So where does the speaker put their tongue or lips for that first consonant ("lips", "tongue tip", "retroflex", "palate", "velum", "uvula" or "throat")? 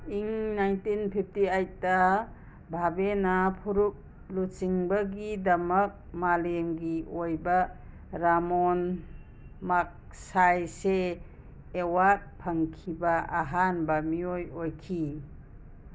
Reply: velum